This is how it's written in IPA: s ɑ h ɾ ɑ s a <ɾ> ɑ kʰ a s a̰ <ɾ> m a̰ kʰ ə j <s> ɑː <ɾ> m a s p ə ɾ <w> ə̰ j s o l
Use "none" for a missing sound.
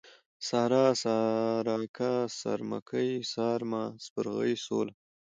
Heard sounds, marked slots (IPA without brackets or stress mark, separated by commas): ɾ, ɾ, s, ɾ, ɣ